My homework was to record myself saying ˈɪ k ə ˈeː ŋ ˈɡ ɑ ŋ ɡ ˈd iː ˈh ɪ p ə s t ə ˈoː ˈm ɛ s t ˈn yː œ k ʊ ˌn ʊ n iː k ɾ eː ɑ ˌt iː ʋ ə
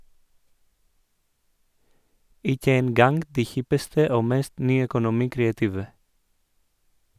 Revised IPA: ˈɪ k ə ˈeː n ˈɡ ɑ ŋ ɡ ˈd iː ˈh ɪ p ə s t ə ˈoː ˈm ɛ s t ˈn yː œ k ʊ ˌn ʊ m iː k ɾ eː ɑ ˌt iː ʋ ə

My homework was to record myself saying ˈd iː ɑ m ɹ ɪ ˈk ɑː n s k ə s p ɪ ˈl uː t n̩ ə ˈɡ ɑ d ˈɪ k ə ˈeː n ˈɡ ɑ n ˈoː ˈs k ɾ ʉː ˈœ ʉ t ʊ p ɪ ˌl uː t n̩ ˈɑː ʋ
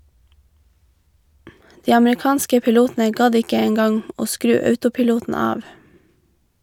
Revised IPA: ˈd iː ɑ m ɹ ɪ ˈk ɑː n s k ə p ɪ ˈl uː t n̩ ə ˈɡ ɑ d ˈɪ k ə ˈeː ŋ ˈɡ ɑ ŋ ˈoː ˈs k ɾ ʉː ˈœ ʉ t ʊ p ɪ ˌl uː t n̩ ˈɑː ʋ

